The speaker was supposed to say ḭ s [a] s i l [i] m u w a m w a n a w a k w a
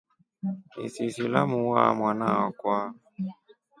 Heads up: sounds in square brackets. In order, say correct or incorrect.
incorrect, incorrect

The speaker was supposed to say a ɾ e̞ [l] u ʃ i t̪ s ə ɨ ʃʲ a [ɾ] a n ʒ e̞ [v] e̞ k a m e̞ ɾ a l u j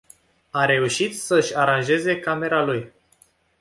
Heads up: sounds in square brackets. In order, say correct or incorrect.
incorrect, correct, incorrect

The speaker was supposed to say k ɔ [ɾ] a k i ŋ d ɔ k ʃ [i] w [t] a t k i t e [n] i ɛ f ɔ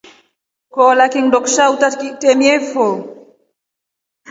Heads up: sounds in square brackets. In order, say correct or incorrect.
incorrect, incorrect, correct, incorrect

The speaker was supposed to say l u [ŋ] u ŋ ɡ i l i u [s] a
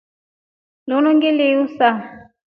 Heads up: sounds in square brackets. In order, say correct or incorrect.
incorrect, correct

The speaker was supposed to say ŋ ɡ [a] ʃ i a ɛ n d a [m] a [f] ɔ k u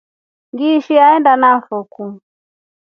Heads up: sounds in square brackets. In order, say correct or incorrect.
incorrect, incorrect, correct

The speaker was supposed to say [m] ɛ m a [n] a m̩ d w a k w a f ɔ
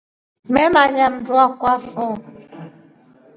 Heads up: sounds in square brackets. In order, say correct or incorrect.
correct, incorrect

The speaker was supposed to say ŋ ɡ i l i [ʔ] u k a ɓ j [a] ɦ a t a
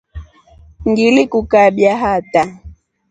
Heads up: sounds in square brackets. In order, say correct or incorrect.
incorrect, correct

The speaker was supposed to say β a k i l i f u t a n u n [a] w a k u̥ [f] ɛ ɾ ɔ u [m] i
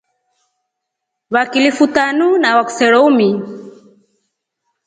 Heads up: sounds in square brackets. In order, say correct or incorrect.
correct, incorrect, correct

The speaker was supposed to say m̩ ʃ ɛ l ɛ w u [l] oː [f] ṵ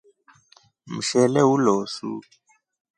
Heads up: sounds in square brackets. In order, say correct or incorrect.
correct, incorrect

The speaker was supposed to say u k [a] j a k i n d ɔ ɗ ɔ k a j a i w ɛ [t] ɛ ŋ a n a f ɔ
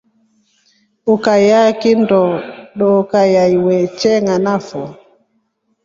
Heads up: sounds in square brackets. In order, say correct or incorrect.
correct, incorrect

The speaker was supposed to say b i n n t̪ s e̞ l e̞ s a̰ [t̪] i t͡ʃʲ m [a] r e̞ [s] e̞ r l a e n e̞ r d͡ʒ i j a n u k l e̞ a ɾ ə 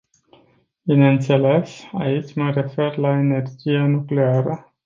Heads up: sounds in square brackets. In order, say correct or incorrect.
incorrect, incorrect, incorrect

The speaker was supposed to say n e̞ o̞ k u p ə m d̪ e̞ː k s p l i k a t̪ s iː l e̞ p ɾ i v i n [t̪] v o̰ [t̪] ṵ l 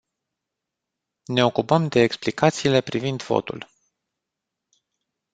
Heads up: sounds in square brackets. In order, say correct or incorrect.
incorrect, correct

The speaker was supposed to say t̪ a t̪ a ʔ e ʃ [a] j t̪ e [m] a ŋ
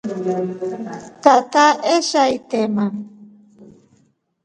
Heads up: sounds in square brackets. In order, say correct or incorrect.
correct, correct

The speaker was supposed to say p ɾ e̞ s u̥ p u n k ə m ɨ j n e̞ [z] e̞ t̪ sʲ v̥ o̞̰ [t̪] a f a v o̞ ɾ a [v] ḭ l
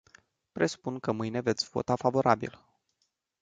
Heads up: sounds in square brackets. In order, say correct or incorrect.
incorrect, correct, incorrect

